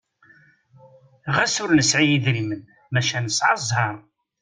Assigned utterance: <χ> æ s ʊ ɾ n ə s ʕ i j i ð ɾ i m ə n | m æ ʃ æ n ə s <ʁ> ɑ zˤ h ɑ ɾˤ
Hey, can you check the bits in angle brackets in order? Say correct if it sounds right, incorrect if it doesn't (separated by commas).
incorrect, incorrect